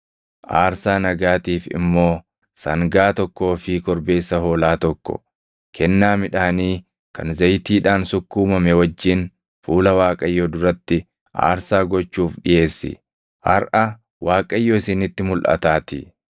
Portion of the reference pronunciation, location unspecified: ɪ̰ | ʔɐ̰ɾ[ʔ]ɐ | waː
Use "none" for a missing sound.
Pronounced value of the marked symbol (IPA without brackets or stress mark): ʔ